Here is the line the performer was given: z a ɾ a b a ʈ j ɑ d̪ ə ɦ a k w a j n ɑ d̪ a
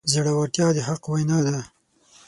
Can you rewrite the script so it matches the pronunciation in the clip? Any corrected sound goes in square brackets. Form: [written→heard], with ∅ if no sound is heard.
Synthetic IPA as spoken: z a [ɾ→ɽ] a [b→w] a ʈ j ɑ d̪ ə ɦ a [k→q] w a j n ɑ d̪ a

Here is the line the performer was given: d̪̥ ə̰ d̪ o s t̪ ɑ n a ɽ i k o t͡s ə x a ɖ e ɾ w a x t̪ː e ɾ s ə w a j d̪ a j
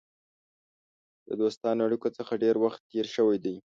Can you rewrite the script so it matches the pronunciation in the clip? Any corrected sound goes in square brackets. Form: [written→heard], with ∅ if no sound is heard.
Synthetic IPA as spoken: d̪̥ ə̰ d̪ o s t̪ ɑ n a ɽ i k o t͡s ə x a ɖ e ɾ w a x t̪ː e ɾ [s→ʃ] ə w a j d̪ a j

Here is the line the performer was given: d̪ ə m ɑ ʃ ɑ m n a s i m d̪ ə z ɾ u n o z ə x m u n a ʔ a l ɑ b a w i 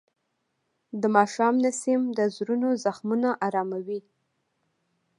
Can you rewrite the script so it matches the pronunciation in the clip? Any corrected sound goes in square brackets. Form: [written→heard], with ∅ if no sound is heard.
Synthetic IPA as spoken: d̪ ə m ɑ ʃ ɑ m n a s i m d̪ ə z ɾ u n o z [ə→a] x m u n a ʔ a [l→ɾ] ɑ [b→m] a w i

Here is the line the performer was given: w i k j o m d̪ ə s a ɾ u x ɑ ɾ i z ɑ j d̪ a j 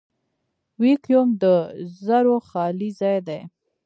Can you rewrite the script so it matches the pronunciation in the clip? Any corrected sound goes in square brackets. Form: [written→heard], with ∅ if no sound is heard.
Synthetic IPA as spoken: w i k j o m d̪ ə [s→z] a ɾ [u→o] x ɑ [ɾ→l] i z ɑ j d̪ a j

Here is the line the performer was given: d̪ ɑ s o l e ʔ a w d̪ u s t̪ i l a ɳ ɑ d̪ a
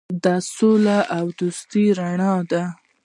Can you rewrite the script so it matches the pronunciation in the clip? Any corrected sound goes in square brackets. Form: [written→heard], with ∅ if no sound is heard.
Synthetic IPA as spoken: d̪ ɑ s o l [e→a] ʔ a w d̪ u s t̪ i [l→ɾ] a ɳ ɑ d̪ a

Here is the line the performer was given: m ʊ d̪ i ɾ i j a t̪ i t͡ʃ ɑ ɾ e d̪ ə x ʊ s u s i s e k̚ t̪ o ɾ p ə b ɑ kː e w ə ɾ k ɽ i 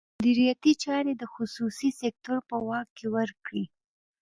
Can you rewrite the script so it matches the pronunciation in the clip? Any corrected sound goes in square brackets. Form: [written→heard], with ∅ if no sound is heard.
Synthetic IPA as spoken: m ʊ d̪ i ɾ i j a t̪ i t͡ʃ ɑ ɾ e d̪ ə x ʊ s u s i s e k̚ t̪ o ɾ p ə [b→w] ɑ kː e w ə ɾ k ɽ i

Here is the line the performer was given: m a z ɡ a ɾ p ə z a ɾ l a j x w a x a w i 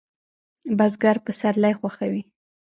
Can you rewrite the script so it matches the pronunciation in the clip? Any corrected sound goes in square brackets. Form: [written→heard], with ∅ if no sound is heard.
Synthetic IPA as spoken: [m→b] a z ɡ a ɾ p ə [z→s] a ɾ l a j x w a x a w i

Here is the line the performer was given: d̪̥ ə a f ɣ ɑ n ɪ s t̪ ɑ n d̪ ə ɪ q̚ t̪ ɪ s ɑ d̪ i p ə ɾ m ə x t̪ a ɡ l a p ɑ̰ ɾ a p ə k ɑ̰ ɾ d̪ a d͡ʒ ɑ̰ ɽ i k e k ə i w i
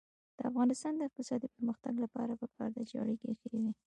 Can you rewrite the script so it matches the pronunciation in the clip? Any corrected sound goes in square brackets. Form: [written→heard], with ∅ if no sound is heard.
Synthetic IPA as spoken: d̪̥ ə a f ɣ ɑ n ɪ s t̪ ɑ n d̪ ə ɪ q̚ t̪ ɪ s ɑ d̪ i p ə ɾ m ə x t̪ a ɡ l a p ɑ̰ ɾ a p ə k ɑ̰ ɾ d̪ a d͡ʒ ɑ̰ ɽ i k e [k→x] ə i w i

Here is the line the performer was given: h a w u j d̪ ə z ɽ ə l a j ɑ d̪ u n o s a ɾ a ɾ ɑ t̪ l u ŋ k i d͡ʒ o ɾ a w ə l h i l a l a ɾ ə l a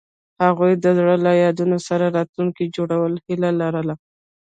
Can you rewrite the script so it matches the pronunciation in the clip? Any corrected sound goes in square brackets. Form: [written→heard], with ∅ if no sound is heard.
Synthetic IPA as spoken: h a [w→ɣ] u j d̪ ə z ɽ ə l a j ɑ d̪ u n o s a ɾ a ɾ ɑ t̪ l u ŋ k i d͡ʒ o [ɾ→ɽ] a w ə l h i l a l a ɾ ə l a

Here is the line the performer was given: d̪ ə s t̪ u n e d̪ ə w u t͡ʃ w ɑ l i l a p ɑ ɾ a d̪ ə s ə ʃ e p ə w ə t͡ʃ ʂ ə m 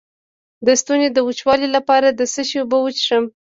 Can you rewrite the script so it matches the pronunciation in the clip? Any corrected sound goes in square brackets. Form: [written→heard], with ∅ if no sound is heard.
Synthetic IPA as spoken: d̪ ə s t̪ u n e d̪ ə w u t͡ʃ w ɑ l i l a p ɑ ɾ a d̪ ə s ə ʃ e [p→b] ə w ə t͡ʃ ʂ ə m

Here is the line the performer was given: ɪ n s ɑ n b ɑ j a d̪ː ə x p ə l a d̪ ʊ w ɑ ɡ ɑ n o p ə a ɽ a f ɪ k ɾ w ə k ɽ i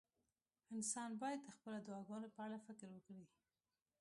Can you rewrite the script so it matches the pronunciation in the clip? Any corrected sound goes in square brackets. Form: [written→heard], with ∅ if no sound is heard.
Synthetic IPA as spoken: ɪ n s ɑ n b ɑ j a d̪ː ə x p ə l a d̪ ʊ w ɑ ɡ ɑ n o p ə a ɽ a f ɪ k ɾ w ə k ɽ i

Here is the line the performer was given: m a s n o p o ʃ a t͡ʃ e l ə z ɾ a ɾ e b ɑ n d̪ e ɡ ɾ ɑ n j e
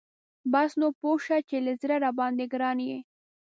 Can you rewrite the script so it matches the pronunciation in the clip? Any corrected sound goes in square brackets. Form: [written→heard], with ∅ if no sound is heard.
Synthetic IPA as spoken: [m→b] a s n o p o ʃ a t͡ʃ e l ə z ɾ a ɾ [e→a] b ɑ n d̪ e ɡ ɾ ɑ n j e

